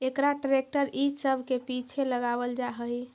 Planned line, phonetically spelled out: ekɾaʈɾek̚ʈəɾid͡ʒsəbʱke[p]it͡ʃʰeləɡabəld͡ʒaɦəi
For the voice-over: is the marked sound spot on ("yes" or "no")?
yes